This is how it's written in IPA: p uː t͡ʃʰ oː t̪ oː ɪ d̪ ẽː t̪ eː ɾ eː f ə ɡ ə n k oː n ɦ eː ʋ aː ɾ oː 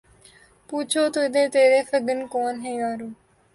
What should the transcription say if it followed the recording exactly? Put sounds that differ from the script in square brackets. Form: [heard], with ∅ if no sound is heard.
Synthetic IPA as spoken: p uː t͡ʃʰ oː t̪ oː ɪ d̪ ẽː t̪ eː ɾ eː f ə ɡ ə n k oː n ɦ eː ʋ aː ɾ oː